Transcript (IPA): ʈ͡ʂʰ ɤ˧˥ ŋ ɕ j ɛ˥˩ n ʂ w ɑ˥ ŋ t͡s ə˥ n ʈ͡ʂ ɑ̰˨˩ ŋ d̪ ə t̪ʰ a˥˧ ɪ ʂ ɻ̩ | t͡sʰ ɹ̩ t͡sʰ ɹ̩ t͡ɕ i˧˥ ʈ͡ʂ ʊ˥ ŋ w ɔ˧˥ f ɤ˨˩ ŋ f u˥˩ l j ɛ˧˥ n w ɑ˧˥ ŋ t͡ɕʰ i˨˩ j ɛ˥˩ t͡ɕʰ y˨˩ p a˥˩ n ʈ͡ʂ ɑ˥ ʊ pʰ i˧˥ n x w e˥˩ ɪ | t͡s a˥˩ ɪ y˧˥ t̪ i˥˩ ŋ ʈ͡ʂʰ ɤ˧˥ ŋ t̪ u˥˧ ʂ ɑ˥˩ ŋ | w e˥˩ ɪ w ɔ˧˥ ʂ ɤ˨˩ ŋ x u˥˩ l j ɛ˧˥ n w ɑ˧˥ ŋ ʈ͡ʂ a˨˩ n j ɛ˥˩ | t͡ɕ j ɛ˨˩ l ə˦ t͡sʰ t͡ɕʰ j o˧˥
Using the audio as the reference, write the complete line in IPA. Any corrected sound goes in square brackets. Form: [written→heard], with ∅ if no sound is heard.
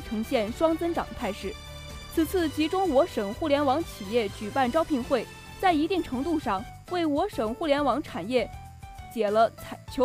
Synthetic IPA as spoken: ʈ͡ʂʰ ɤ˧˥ ŋ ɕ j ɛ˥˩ n ʂ w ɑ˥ ŋ t͡s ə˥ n ʈ͡ʂ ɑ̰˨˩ ŋ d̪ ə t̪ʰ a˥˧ ɪ ʂ ɻ̩ | t͡sʰ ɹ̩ t͡sʰ ɹ̩ t͡ɕ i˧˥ ʈ͡ʂ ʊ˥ ŋ w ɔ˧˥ [f→ʂ] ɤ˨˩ ŋ [f→x] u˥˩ l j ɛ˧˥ n w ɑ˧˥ ŋ t͡ɕʰ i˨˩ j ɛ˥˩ [t͡ɕʰ→t͡ɕ] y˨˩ p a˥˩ n ʈ͡ʂ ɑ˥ ʊ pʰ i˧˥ n x w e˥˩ ɪ | t͡s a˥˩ ɪ [y˧˥→i˧˥] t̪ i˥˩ ŋ ʈ͡ʂʰ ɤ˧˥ ŋ t̪ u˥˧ ʂ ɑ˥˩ ŋ | w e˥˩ ɪ w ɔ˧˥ ʂ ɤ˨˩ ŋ x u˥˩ l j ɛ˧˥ n w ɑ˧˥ ŋ [ʈ͡ʂ→ʈ͡ʂʰ] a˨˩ n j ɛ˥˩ | t͡ɕ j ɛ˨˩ l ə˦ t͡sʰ t͡ɕʰ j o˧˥